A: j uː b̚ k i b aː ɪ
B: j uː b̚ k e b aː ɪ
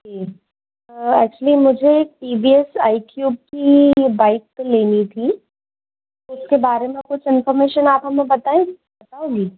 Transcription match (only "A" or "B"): A